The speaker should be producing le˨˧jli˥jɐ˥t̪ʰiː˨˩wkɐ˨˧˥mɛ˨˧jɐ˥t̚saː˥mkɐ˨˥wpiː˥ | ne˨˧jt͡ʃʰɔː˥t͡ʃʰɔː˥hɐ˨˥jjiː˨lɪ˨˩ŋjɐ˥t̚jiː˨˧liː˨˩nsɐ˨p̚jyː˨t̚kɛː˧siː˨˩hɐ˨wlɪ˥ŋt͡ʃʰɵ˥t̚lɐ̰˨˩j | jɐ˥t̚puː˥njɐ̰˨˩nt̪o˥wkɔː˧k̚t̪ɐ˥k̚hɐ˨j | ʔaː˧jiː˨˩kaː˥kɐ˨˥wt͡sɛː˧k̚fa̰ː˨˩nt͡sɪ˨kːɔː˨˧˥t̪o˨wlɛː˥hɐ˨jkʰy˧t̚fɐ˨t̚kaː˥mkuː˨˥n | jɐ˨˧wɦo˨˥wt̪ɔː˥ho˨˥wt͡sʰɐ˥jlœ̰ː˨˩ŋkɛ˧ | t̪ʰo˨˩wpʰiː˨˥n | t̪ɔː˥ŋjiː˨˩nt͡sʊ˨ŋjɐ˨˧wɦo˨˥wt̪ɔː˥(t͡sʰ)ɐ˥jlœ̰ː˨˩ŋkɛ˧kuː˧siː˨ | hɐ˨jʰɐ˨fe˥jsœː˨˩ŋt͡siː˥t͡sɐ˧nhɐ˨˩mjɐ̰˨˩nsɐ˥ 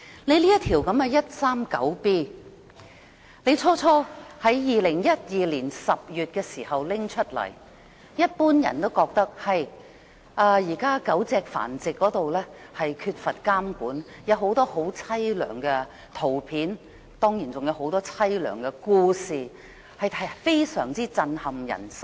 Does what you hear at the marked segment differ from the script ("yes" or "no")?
no